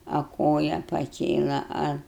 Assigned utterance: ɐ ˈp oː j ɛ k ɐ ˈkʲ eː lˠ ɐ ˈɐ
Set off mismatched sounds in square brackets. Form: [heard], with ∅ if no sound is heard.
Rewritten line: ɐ [ˈk] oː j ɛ [p] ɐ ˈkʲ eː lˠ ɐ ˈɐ